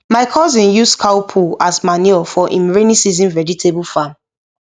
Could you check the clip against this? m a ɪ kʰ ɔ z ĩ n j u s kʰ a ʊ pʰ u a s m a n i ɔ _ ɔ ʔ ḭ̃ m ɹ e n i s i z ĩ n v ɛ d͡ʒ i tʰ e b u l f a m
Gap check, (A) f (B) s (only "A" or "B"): A